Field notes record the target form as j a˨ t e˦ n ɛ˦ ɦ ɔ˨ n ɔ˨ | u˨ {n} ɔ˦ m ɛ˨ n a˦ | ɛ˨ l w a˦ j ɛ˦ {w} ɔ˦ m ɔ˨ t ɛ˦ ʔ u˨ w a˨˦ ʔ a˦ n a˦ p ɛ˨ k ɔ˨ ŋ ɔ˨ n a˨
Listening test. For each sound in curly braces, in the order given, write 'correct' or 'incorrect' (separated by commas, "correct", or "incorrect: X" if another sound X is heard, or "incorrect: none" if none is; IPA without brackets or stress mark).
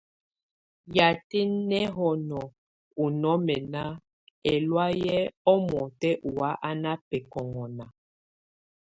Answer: correct, incorrect: none